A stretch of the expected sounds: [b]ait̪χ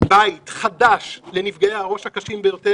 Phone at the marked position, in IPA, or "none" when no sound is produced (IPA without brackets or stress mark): b